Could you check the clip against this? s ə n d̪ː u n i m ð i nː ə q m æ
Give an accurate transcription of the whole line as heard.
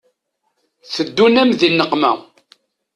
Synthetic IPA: θ ə d̪ː u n æ m ð i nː ə q m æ